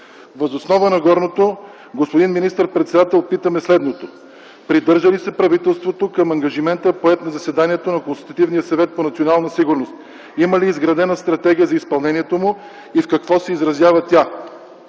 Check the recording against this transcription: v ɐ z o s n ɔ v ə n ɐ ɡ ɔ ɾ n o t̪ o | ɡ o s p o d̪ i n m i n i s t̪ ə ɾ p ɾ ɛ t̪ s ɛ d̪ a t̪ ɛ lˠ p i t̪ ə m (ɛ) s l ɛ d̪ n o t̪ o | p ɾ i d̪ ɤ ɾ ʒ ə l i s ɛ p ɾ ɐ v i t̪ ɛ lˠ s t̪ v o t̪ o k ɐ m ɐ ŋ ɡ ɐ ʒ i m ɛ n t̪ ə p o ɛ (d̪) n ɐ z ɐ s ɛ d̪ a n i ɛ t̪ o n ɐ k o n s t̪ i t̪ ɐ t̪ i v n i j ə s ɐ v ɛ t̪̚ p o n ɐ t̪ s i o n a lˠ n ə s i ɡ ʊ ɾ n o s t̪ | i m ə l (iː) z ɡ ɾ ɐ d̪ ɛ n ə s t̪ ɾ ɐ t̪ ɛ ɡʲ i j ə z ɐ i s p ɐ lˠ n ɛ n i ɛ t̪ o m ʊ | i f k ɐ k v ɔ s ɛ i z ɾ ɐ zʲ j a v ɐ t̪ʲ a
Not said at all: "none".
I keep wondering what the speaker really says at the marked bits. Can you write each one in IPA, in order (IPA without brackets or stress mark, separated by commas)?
ɛ, t̪, iː